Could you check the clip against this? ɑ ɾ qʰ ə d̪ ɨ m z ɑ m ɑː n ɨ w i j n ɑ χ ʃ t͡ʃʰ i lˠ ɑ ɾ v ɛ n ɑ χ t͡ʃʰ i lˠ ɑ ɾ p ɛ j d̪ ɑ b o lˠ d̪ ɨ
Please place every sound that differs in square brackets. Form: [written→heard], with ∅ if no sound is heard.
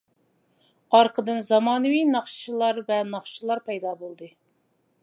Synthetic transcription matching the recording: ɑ ɾ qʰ ə d̪ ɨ [m→n] z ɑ m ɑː n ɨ w i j n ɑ χ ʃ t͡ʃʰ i lˠ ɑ ɾ v ɛ n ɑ χ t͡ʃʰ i lˠ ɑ ɾ p ɛ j d̪ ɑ b o lˠ d̪ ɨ